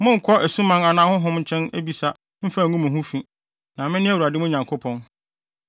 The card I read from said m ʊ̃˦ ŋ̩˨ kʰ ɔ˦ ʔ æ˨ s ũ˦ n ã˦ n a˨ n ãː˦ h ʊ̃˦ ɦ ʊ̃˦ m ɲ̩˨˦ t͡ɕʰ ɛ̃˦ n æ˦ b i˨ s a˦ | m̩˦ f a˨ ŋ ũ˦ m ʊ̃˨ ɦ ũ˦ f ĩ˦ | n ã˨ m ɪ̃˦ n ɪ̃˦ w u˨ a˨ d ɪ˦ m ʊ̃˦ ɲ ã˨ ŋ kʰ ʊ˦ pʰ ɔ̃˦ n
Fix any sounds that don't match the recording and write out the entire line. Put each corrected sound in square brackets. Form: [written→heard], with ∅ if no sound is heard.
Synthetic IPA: m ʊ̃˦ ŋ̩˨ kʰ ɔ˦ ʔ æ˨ s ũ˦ [n→m] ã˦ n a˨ n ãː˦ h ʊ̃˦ ɦ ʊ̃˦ m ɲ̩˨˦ t͡ɕʰ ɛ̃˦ n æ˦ b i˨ s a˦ | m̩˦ f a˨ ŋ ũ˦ m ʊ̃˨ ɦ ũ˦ f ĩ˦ | n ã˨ m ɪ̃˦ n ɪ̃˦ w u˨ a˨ d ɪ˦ m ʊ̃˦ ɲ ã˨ ŋ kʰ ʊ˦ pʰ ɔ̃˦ n

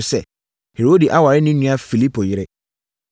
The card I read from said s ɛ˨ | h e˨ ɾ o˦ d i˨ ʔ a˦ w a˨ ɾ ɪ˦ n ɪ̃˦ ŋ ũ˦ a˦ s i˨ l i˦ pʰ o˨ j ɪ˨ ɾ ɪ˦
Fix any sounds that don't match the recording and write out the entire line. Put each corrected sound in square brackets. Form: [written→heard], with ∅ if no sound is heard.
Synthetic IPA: s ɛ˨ | h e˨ ɾ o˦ d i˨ ʔ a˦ w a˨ ɾ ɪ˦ n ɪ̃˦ [ŋ→n] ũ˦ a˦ [s→f] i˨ l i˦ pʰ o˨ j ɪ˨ ɾ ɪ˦

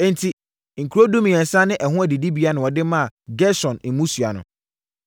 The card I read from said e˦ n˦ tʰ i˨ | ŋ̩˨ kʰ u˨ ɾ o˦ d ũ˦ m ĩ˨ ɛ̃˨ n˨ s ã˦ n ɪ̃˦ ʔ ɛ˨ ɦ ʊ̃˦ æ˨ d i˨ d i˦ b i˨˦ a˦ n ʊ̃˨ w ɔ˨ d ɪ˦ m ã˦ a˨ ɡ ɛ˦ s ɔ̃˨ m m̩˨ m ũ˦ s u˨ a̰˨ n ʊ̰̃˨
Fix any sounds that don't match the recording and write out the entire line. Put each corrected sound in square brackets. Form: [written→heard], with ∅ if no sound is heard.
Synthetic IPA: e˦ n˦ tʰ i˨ | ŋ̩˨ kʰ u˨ ɾ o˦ d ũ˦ m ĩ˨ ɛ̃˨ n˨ s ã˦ n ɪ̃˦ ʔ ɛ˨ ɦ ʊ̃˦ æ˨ d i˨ d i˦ b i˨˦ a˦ n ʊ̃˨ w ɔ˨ d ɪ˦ m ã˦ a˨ ɡ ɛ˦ s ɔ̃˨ [m→n] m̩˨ m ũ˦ s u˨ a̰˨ n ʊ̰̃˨

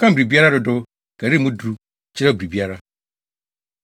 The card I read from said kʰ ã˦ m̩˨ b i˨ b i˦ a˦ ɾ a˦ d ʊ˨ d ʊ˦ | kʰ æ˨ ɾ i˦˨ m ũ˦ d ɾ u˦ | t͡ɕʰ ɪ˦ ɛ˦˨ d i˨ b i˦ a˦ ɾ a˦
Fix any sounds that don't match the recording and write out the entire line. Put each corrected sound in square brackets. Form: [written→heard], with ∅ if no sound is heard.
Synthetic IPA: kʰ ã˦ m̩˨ b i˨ b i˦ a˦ ɾ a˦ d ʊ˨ d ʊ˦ | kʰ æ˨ ɾ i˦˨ m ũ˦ d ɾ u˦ | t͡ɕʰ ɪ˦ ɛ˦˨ [d→b] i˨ b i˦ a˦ ɾ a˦

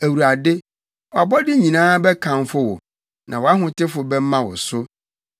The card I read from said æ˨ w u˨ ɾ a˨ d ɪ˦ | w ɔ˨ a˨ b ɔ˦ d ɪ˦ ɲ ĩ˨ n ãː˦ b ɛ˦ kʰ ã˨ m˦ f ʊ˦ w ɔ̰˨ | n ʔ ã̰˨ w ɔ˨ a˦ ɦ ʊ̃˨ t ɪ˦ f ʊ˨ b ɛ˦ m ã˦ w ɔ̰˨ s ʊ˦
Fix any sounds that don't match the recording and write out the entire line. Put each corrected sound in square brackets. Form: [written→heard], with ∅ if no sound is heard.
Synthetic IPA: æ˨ w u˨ ɾ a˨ d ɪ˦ | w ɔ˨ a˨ b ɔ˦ d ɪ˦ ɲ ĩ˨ n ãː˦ b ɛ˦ kʰ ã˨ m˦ f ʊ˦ w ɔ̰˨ | n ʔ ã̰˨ w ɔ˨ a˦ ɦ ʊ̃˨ t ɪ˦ f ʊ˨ b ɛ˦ m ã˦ w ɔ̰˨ s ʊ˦

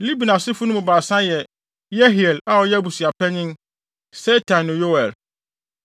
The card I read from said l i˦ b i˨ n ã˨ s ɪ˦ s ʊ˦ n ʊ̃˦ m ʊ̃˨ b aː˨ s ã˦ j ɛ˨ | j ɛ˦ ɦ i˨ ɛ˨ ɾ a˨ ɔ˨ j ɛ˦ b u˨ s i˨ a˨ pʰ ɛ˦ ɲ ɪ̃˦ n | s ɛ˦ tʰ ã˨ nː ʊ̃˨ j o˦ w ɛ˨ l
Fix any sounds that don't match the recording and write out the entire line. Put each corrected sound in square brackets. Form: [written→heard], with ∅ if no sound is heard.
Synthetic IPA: l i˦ b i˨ n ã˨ s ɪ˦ [s→f] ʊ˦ n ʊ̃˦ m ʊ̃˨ b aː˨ s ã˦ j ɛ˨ | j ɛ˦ ɦ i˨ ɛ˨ [ɾ→l] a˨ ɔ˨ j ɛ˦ b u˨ s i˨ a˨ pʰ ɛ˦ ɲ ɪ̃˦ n | s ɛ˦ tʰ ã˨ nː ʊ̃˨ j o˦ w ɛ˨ l

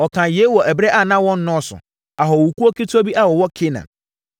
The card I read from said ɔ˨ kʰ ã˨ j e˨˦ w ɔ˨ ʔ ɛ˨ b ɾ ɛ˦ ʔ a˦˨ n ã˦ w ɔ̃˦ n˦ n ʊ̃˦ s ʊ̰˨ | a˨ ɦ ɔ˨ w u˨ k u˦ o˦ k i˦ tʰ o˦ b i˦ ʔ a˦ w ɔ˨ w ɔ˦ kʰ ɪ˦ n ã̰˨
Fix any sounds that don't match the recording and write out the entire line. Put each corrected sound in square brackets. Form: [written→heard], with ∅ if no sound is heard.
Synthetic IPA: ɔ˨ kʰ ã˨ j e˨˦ w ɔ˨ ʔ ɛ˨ b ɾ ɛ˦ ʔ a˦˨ n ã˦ w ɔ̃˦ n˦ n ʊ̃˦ s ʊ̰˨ | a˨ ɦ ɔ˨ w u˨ k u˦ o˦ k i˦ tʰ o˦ b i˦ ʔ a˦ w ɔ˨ w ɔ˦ kʰ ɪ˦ n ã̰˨

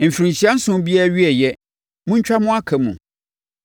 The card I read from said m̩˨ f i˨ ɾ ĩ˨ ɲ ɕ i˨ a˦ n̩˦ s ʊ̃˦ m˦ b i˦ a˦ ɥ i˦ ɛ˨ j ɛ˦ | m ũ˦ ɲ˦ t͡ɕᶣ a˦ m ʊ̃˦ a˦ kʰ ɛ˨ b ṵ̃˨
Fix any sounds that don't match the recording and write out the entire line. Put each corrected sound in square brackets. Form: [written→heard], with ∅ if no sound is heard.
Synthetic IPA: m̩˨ f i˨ ɾ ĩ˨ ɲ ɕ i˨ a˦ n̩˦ s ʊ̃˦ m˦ b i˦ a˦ ɥ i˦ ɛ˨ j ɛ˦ | m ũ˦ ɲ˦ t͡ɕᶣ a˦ m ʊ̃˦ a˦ kʰ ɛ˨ [b→m] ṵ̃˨

